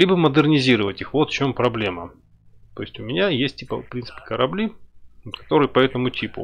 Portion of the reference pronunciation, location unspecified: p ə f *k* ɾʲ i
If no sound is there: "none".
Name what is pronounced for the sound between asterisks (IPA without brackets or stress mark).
p